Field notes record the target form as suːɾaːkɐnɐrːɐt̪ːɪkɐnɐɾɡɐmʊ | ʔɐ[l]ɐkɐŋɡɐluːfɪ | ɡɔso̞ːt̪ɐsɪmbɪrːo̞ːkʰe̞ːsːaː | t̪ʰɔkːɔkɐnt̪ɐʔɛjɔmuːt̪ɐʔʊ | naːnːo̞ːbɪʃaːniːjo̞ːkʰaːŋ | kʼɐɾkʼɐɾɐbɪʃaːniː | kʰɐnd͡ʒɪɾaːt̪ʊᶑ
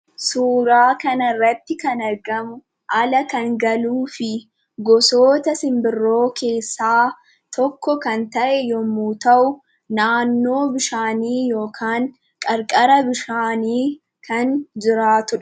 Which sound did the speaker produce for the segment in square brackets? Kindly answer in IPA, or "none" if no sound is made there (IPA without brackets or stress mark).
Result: l